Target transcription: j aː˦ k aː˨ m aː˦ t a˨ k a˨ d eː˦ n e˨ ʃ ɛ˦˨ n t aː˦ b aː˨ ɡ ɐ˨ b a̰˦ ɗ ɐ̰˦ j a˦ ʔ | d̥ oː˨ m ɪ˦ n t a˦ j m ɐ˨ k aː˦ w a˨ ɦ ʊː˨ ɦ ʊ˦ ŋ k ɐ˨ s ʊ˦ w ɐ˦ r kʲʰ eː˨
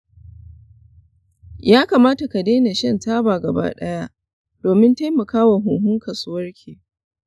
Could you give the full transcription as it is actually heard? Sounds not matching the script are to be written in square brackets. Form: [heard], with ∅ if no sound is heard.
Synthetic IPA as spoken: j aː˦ k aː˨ m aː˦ t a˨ k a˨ d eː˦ n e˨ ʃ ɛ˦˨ n t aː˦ b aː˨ ɡ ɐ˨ b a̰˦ ɗ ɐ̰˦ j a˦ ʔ | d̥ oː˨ m ɪ˦ n t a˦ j m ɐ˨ k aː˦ w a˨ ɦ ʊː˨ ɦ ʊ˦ ŋ k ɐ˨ s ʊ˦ w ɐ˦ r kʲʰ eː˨